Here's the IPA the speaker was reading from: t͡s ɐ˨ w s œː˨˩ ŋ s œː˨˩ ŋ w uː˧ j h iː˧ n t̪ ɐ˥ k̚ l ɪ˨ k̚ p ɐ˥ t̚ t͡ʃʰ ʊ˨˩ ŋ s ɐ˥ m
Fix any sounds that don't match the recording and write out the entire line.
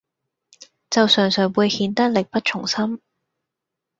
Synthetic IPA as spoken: t͡s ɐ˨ w s œː˨˩ ŋ s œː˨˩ ŋ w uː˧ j h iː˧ n t̪ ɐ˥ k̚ l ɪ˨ k̚ p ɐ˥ t̚ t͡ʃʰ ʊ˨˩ ŋ s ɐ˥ m